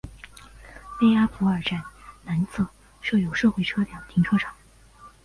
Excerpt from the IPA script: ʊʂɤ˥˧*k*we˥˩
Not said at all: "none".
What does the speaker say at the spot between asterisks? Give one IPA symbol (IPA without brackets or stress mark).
x